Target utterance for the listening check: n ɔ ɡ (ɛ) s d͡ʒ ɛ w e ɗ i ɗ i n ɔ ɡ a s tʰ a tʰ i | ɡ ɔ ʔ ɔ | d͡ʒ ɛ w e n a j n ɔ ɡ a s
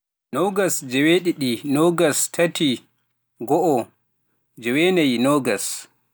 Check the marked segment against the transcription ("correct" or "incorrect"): incorrect